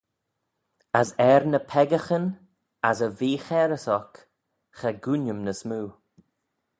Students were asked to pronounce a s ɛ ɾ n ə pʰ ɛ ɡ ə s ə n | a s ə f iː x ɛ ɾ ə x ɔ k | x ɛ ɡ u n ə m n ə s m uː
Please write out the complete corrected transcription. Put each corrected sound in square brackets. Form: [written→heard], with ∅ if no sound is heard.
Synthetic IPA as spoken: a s ɛ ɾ n ə pʰ ɛ ɡ ə [s→x] ə n | a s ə [f→v] iː x ɛ ɾ ə [x→s] ɔ k | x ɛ ɡ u n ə m n ə s m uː